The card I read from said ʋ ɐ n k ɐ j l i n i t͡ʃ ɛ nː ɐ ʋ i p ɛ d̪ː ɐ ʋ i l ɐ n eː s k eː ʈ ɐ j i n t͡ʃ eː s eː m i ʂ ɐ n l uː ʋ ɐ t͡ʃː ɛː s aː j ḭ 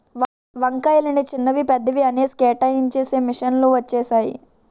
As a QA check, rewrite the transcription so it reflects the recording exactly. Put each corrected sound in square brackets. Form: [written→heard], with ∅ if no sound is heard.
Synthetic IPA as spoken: ʋ ɐ [n→ŋ] k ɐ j l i n i t͡ʃ [ɛ→i] nː ɐ ʋ i p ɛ d̪ː ɐ ʋ i [l→∅] ɐ n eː s k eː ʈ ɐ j i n t͡ʃ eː s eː m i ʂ ɐ n l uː ʋ ɐ t͡ʃː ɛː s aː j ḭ

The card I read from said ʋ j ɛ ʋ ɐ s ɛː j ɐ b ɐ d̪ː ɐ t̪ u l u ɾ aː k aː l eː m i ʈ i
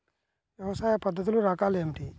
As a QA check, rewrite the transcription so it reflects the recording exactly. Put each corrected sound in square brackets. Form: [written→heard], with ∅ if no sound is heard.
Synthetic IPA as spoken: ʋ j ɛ ʋ ɐ s [ɛː→aː] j ɐ [b→p] ɐ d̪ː ɐ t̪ u l u ɾ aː k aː l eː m i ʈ i

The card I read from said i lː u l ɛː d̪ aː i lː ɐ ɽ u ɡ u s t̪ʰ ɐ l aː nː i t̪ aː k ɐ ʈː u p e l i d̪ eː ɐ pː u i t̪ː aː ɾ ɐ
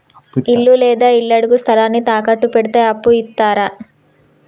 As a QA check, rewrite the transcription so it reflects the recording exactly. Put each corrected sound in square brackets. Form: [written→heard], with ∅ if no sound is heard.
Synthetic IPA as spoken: i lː u l ɛː d̪ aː i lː ɐ ɽ u ɡ u s t̪ʰ ɐ l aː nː i t̪ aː k ɐ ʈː u p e [l→ɽ] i [d̪→t̪] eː ɐ pː u i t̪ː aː ɾ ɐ

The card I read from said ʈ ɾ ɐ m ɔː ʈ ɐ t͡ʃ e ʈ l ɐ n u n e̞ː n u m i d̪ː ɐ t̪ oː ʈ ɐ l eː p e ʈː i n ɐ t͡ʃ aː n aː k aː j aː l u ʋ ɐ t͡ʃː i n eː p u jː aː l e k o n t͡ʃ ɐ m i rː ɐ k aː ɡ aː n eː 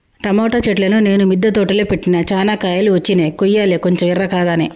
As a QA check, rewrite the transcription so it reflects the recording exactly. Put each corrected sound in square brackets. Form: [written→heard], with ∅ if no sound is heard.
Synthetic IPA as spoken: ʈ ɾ ɐ m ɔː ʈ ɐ t͡ʃ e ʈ l ɐ n u n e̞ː n u m i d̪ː ɐ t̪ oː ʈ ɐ l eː p e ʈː i n ɐ t͡ʃ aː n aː k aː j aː l u ʋ ɐ t͡ʃː i n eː [p→k] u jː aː l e k o [n→ɲ] t͡ʃ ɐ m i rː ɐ k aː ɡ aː n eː

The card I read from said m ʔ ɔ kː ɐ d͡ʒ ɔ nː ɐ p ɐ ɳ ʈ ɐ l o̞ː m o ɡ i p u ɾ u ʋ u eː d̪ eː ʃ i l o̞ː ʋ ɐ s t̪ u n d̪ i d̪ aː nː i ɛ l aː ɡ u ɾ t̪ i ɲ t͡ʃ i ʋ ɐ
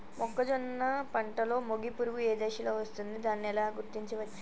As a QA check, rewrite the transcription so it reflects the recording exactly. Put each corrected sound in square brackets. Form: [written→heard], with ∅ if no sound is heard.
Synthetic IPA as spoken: m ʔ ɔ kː ɐ d͡ʒ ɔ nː ɐ p ɐ ɳ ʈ ɐ l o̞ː m o ɡ i p u ɾ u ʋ u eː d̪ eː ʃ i l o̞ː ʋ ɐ s t̪ u n d̪ i d̪ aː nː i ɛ l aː ɡ u ɾ t̪ i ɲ t͡ʃ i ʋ ɐ

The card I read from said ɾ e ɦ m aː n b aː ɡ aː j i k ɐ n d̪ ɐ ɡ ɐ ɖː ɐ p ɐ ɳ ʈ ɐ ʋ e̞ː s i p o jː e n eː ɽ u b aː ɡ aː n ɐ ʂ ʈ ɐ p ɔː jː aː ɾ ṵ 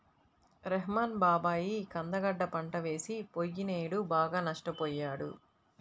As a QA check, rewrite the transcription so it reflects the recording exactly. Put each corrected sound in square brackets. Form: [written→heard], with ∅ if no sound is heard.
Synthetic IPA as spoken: ɾ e ɦ m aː n b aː [ɡ→b] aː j i k ɐ n d̪ ɐ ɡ ɐ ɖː ɐ p ɐ ɳ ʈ ɐ ʋ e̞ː s i p o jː [e→i] n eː ɽ u b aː ɡ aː n ɐ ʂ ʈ ɐ p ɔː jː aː [ɾ→ɽ] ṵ

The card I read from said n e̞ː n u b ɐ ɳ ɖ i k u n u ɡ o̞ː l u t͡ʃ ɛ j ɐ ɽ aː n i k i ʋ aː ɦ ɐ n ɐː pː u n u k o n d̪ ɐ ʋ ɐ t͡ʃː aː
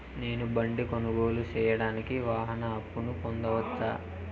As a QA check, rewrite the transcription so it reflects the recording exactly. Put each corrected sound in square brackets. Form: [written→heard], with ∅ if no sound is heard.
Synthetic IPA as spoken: n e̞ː n u b ɐ ɳ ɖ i k [u→o] n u ɡ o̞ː l u t͡ʃ [ɛ→ɛː] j ɐ ɽ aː n i k i ʋ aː ɦ ɐ n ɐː pː u n u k o n d̪ ɐ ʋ ɐ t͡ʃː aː

